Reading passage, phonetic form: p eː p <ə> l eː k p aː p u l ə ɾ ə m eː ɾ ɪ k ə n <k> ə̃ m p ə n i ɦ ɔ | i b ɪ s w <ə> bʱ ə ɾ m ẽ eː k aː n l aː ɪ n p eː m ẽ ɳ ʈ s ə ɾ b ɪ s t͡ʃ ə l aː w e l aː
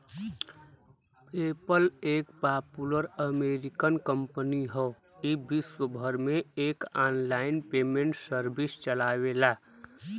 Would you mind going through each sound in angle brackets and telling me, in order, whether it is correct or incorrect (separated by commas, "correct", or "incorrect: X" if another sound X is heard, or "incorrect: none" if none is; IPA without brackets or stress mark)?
correct, correct, correct